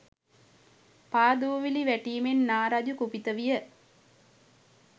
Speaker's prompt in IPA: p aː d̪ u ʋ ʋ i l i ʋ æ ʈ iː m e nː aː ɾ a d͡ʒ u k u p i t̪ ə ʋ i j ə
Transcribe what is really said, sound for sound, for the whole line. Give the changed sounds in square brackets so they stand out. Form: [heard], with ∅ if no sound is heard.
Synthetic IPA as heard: p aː d̪ u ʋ ʋ i l i ʋ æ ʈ iː m e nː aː ɾ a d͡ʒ u k u p i t̪ ə ʋ i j ə